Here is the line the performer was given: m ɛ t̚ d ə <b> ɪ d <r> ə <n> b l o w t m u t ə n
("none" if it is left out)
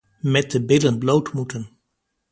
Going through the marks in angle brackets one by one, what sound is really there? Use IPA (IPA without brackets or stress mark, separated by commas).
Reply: b, l, n